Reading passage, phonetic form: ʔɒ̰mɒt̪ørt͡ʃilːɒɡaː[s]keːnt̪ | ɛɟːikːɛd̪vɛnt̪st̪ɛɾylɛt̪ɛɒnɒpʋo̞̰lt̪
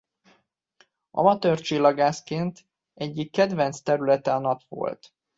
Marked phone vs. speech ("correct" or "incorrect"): correct